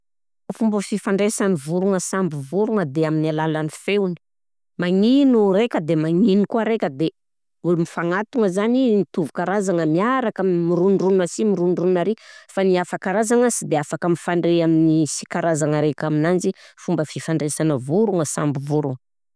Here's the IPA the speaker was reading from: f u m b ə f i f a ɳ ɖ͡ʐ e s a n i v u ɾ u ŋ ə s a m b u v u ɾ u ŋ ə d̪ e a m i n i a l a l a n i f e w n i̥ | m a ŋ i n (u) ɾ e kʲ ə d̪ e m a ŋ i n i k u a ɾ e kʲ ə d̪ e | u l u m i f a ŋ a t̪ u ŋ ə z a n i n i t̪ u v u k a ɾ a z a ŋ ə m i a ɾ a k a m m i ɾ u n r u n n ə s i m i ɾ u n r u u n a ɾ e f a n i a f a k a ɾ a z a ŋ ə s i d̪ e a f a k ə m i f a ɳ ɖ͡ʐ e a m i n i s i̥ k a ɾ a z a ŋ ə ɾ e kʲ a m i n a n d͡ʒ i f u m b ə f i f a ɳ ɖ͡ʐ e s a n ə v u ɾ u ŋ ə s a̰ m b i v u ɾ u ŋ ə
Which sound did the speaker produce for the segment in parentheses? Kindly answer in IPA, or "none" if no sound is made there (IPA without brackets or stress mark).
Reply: u